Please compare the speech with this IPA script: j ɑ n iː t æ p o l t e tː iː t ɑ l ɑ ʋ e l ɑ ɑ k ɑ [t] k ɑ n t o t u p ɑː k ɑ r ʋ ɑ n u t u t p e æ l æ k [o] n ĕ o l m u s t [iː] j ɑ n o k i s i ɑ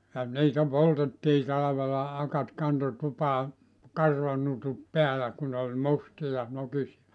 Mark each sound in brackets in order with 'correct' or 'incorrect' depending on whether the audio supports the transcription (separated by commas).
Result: correct, incorrect, incorrect